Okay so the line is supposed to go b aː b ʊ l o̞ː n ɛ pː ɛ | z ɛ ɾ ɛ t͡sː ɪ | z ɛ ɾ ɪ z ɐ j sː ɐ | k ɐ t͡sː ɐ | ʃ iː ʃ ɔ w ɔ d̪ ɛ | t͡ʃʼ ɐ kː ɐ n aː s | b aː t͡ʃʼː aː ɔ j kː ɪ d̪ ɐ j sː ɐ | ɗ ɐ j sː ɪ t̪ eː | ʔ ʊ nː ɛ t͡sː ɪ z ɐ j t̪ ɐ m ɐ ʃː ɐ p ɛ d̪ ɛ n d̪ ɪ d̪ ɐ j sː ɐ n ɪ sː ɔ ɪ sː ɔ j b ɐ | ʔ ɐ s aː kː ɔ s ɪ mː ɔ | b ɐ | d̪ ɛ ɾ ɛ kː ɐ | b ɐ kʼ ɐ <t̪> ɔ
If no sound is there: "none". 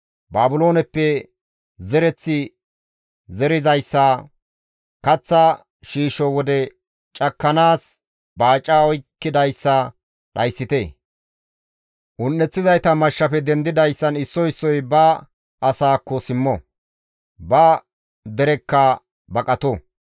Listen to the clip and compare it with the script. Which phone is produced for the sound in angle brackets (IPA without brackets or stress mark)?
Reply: t̪